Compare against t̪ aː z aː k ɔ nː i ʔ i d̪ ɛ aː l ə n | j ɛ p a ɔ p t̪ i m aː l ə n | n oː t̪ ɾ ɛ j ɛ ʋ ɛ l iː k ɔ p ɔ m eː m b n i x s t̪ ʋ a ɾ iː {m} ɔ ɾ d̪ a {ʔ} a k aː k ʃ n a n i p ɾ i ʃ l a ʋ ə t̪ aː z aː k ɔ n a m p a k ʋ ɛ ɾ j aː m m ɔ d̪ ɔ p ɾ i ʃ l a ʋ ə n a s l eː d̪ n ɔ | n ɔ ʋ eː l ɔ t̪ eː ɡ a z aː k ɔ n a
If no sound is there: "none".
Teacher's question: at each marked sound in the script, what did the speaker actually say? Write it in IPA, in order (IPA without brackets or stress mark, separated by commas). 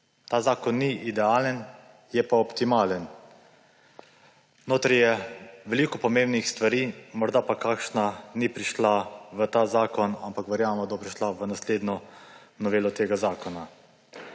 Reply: m, p